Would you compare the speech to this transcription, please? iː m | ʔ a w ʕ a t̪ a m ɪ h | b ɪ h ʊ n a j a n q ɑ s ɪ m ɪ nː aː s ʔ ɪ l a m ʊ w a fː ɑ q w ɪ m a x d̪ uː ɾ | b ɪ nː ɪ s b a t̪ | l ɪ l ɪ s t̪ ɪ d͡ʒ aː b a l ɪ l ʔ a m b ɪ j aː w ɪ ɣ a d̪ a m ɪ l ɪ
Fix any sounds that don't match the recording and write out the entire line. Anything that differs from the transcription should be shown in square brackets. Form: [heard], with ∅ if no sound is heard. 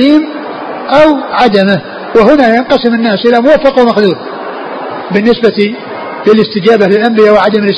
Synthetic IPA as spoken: iː m | ʔ a w ʕ a [d̪] a m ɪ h | [w] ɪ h ʊ n a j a n q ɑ s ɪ m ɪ nː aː s ʔ ɪ l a m ʊ w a fː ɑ q w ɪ m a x d̪ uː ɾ | b ɪ nː ɪ s b a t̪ | l ɪ l ɪ s t̪ ɪ d͡ʒ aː b a l ɪ l ʔ a m b ɪ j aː w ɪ [ʕ] a d̪ a m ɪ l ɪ